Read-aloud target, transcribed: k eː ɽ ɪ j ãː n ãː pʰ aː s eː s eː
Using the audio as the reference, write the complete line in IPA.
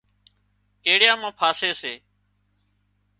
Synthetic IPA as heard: k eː ɽ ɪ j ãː m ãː pʰ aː s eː s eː